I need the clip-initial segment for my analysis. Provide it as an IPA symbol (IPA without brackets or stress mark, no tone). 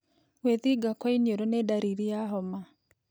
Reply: w